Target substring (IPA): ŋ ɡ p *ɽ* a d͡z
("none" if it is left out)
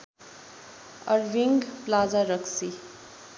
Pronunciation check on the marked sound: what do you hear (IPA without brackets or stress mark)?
l